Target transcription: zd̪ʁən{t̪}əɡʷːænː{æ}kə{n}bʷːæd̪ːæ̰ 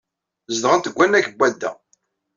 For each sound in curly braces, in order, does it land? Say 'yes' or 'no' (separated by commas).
yes, yes, no